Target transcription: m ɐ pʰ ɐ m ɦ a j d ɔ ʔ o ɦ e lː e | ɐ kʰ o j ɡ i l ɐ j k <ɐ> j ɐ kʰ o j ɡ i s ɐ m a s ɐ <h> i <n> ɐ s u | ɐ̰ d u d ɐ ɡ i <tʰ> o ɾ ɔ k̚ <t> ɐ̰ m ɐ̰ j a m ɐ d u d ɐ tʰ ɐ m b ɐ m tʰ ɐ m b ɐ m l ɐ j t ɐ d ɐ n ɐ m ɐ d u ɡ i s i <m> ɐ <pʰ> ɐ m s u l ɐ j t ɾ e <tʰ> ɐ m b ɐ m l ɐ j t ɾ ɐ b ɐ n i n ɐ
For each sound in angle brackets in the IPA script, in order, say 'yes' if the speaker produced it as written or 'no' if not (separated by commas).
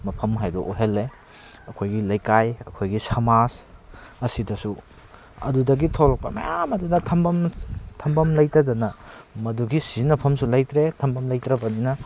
no, no, no, yes, no, no, yes, yes